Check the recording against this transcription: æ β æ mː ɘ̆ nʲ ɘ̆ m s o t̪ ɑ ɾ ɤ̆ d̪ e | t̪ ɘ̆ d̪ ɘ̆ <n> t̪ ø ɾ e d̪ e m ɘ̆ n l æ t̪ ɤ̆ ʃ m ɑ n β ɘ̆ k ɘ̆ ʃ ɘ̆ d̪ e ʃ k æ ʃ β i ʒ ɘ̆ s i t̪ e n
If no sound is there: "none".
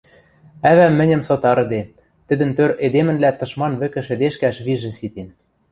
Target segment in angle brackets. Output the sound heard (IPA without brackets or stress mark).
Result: n